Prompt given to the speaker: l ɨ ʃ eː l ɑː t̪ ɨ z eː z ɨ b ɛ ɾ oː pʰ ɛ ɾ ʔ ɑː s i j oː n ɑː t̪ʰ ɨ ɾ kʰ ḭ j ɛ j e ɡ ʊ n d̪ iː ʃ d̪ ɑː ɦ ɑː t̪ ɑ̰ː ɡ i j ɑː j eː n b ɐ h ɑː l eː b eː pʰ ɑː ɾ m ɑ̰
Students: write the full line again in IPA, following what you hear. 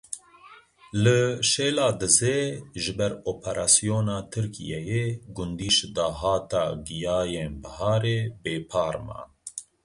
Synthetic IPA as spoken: l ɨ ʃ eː l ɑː d̪ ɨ z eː ʒ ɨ b ɛ ɾ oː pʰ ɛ ɾ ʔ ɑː s i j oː n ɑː t̪ʰ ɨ ɾ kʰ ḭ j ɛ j e ɡ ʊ n d̪ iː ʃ d̪ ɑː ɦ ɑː t̪ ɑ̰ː ɡ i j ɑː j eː n b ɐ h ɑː ɾ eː b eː pʰ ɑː ɾ m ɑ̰